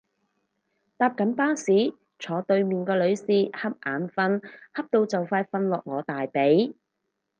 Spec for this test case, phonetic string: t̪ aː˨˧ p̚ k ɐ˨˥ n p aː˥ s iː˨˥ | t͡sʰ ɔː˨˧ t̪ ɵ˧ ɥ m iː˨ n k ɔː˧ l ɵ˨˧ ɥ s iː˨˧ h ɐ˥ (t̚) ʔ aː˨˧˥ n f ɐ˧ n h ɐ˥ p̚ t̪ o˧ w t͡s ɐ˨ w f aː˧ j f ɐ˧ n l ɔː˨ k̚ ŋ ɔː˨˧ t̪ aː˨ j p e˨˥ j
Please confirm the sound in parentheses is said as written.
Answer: no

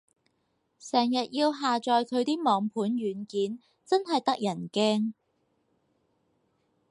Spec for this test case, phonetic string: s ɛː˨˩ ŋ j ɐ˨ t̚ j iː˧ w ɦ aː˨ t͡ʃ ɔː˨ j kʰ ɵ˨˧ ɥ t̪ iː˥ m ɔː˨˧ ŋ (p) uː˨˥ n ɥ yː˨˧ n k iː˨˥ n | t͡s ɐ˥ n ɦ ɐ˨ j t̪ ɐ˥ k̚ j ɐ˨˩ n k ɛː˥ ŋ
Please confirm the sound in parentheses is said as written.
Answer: no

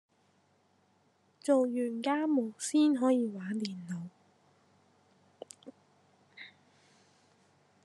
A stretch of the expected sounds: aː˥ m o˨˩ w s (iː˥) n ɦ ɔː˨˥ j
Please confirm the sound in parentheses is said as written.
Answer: yes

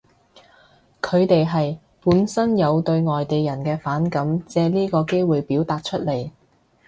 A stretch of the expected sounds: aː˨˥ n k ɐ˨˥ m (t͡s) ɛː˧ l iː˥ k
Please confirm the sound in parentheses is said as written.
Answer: yes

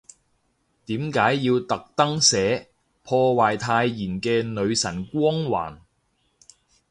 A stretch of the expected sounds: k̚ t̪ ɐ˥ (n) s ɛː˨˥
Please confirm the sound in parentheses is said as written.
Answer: no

